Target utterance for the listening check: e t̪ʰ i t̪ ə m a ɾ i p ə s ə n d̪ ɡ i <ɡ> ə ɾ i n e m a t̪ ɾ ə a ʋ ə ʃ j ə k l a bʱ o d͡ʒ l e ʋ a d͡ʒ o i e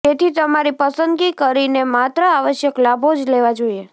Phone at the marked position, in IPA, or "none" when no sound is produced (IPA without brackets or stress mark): k